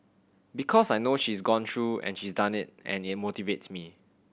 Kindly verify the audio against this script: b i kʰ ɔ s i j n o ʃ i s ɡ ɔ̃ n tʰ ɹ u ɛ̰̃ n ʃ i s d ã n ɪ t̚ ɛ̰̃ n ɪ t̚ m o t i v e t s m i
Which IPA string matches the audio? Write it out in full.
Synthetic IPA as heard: b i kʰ ɔ s a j n o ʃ i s ɡ ɔ̃ n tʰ ɹ u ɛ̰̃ n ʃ i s d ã n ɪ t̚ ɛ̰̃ n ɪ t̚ m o t i v e t s m i